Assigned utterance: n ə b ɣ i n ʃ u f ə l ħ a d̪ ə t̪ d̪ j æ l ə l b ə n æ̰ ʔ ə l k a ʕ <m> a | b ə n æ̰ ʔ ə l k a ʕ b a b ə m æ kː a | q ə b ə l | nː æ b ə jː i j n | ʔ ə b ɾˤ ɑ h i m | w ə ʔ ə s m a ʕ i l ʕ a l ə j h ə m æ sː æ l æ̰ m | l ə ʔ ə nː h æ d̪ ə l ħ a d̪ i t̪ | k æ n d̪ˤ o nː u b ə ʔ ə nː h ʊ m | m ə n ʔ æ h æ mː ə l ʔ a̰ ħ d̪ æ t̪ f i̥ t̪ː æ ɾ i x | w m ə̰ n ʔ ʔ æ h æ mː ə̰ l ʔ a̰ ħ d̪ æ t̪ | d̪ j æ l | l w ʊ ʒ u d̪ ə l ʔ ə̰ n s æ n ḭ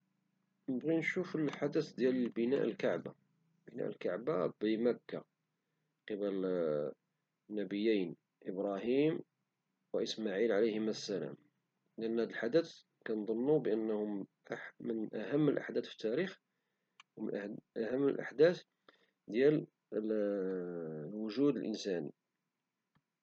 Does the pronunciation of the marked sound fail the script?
yes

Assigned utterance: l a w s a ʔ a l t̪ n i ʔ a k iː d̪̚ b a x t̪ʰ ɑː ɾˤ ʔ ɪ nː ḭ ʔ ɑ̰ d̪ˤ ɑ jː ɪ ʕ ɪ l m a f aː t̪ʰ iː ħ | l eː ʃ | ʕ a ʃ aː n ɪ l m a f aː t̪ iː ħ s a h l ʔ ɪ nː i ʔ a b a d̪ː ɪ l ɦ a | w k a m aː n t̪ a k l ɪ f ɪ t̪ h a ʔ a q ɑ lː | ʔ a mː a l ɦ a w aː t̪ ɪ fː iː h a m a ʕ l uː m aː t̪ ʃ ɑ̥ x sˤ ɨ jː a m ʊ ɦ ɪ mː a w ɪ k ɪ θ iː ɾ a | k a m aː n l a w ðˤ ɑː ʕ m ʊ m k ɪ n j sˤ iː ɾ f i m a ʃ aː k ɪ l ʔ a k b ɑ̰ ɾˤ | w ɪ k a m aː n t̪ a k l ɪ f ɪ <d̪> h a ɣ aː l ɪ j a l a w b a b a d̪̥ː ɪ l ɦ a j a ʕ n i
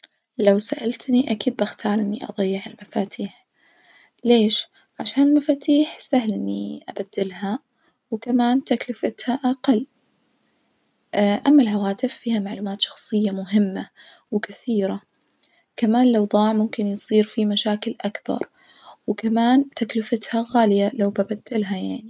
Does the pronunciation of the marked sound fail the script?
yes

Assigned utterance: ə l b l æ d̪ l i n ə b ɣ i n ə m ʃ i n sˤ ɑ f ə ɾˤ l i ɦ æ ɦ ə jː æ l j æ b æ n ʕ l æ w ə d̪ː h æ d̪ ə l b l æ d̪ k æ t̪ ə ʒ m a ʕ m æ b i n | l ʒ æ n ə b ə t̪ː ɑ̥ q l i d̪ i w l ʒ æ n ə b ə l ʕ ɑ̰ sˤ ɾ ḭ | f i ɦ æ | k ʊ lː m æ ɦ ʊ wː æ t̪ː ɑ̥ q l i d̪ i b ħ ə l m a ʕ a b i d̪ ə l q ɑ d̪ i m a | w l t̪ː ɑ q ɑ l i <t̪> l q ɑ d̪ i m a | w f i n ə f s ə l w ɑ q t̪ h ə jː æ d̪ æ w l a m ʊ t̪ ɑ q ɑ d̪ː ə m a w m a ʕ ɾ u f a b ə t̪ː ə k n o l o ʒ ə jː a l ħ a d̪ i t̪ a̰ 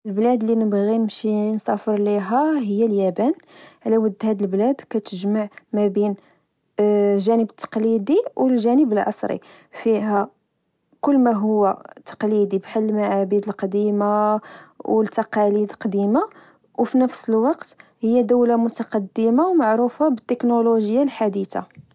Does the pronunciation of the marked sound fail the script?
yes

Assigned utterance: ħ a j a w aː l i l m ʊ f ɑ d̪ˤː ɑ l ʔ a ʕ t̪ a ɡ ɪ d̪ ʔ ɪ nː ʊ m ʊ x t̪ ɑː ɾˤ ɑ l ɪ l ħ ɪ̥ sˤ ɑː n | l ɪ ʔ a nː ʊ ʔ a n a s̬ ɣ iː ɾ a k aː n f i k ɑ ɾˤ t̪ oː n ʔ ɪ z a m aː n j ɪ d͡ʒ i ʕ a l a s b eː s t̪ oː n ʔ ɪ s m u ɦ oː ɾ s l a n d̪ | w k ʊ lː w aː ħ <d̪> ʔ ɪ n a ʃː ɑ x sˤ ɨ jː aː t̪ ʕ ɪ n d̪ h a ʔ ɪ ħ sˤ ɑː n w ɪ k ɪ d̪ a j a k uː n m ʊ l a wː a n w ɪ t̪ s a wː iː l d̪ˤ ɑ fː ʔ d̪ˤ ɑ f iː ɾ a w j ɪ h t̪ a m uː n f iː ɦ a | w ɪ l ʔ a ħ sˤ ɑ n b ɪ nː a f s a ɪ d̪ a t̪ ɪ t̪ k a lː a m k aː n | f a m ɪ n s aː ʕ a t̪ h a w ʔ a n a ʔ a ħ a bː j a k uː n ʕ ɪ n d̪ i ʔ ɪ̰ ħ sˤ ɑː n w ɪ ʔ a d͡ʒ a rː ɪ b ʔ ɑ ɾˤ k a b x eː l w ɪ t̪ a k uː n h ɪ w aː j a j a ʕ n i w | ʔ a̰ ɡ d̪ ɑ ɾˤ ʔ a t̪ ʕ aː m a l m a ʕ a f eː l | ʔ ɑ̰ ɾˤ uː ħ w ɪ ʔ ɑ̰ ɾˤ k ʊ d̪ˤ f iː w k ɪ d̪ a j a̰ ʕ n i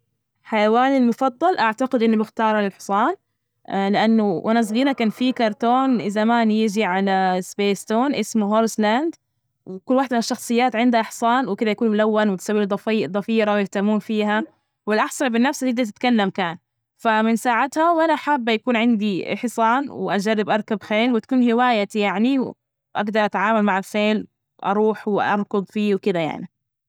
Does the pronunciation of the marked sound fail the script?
no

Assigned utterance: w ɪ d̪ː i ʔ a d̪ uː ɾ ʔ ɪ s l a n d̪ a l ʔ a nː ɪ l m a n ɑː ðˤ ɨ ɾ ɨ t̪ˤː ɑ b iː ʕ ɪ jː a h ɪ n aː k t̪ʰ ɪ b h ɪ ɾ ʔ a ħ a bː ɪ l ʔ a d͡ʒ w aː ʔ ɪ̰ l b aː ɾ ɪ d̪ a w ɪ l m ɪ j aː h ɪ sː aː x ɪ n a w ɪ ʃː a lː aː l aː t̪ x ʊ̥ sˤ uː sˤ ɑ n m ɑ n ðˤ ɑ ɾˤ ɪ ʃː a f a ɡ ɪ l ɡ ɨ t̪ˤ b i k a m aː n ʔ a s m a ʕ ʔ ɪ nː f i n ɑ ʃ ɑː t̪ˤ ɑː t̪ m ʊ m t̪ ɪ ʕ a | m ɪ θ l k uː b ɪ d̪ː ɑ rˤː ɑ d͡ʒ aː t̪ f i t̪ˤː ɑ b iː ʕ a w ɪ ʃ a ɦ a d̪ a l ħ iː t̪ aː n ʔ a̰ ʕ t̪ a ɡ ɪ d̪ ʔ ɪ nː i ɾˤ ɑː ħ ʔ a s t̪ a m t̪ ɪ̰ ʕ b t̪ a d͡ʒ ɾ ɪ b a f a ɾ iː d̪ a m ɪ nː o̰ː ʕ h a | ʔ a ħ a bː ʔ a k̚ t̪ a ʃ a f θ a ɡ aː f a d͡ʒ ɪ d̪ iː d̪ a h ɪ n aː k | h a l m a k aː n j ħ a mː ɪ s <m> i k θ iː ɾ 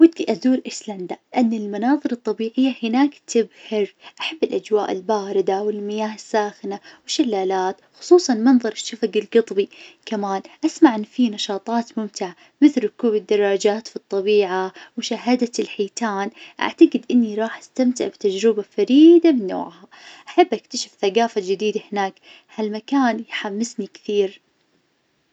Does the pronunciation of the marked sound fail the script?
yes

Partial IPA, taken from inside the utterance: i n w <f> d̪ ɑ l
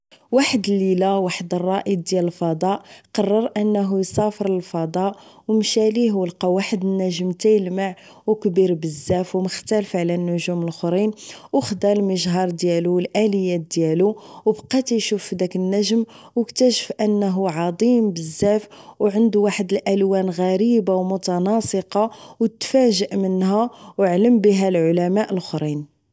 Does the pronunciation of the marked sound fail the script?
yes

